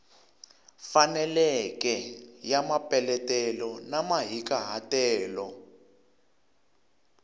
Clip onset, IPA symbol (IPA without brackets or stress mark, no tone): f